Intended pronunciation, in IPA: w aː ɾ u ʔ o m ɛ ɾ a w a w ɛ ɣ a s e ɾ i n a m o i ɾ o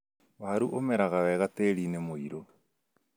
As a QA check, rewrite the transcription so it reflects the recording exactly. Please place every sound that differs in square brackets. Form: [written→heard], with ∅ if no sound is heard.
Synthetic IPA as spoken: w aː ɾ u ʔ o m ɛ ɾ a [w→ɣ] a w ɛ ɣ a [s→t] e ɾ i n [a→e] m o i ɾ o